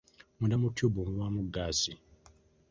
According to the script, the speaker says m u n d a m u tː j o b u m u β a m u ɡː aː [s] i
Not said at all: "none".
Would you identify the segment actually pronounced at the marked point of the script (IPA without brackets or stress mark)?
s